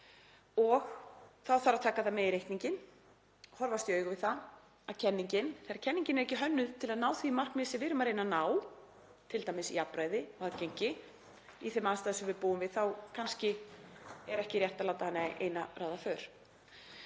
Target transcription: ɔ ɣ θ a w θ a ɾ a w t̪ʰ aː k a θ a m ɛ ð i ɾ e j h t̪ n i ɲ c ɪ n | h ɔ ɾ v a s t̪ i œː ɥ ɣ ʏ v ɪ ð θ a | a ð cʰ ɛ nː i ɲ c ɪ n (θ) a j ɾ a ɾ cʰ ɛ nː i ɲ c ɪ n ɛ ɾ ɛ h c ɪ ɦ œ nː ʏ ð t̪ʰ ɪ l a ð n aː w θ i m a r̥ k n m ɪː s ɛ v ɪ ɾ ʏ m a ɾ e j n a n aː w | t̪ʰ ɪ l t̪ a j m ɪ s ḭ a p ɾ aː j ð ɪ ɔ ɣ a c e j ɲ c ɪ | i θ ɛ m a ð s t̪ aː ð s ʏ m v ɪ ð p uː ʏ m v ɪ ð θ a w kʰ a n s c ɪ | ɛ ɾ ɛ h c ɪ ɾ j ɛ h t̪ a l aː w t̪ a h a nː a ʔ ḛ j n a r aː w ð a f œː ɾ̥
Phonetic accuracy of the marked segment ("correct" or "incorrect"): correct